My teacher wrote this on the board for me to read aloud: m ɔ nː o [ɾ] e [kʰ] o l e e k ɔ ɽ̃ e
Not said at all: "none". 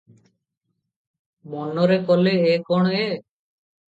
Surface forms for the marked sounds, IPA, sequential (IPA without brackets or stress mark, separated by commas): ɾ, k